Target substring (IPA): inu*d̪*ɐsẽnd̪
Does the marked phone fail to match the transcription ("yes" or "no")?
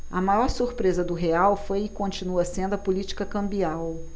yes